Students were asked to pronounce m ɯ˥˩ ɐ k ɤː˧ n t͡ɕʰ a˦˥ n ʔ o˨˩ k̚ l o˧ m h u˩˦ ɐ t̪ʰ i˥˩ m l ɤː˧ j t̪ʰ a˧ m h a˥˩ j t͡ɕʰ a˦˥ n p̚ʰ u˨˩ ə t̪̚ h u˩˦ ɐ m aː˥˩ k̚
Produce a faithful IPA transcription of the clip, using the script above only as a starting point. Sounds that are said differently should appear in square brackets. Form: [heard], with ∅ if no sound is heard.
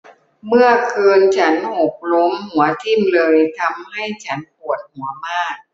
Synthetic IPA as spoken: m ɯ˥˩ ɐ [kʰ] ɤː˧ n t͡ɕʰ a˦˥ n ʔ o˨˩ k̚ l [o˦˥] m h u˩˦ ɐ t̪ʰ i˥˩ m l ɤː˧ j t̪ʰ a˧ m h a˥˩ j t͡ɕʰ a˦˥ n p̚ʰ u˨˩ ə t̪̚ h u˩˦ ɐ m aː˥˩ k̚